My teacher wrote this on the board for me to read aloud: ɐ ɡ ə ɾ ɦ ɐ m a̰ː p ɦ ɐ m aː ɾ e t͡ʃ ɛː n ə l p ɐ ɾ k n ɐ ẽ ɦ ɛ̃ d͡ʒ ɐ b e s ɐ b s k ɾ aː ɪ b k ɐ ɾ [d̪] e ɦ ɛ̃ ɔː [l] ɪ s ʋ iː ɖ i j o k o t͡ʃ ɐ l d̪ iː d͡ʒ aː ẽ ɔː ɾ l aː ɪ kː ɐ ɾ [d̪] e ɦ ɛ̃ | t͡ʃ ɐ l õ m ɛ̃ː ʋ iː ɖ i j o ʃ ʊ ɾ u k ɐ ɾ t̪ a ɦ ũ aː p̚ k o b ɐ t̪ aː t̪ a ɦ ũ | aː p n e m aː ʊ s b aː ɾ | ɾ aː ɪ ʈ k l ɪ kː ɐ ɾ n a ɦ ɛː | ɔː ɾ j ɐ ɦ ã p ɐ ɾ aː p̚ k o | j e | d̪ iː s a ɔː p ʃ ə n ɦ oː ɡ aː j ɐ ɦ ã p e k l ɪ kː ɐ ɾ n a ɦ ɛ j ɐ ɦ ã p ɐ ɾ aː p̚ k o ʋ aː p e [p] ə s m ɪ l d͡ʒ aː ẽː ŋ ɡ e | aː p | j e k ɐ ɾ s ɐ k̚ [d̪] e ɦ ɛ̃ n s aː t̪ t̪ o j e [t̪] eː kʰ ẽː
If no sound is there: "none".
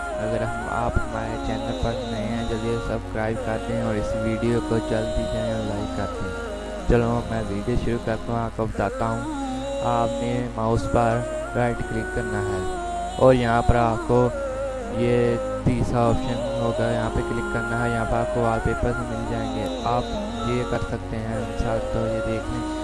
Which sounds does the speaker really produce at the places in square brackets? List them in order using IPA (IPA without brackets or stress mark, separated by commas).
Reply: t̪, ɾ, t̪, p, t̪, d̪